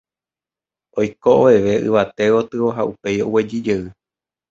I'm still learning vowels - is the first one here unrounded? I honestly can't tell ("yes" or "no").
no